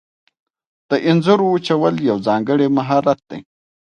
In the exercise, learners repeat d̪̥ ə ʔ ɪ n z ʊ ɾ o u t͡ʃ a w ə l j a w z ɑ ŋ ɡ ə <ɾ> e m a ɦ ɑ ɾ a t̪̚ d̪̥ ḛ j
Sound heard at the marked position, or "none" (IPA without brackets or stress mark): ɽ